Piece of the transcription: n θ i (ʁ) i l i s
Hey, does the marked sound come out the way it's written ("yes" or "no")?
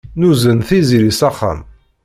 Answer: no